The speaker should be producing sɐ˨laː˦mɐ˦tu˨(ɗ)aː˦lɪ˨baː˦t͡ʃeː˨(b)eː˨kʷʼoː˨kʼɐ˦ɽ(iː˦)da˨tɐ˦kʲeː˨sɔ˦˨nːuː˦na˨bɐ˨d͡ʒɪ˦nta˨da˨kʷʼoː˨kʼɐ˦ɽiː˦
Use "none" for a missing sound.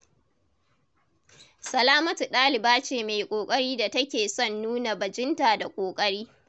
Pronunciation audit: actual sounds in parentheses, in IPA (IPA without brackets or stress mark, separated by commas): ɗ, m, iː˦